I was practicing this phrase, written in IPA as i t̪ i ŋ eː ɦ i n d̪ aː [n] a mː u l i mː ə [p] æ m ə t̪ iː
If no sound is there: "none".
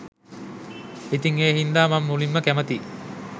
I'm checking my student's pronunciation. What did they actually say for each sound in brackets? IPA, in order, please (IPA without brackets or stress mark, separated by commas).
m, k